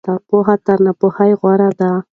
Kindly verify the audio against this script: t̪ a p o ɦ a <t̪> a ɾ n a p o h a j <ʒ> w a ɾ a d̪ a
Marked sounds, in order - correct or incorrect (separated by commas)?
correct, incorrect